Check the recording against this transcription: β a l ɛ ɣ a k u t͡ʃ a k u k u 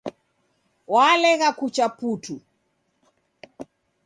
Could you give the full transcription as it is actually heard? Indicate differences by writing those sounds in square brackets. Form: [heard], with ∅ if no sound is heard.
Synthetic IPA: [w] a l ɛ ɣ a k u t͡ʃ a [p] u [t] u